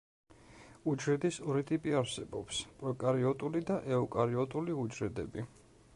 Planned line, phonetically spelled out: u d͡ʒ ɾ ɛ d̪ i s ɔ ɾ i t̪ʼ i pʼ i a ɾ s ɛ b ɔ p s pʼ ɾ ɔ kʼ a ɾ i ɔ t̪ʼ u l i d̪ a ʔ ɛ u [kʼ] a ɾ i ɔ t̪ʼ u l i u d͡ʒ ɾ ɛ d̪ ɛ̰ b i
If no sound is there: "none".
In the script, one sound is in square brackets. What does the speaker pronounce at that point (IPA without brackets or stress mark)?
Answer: kʼ